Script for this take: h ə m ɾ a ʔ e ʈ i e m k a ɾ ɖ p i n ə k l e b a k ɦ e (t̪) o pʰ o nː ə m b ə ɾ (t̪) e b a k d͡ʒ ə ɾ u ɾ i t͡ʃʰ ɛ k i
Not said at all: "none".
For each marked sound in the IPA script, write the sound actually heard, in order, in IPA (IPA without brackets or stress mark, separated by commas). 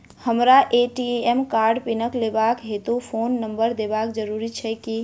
t̪, d̪